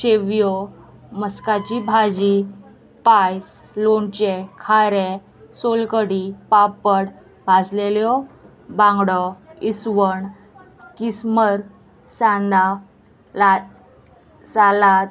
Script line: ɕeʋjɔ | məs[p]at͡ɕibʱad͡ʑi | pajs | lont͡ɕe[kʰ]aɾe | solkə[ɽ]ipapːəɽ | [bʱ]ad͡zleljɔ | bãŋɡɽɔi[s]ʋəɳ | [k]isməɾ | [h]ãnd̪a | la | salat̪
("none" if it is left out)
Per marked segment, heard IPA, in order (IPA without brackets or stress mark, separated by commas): k, kʰ, ɽ, bʱ, s, k, s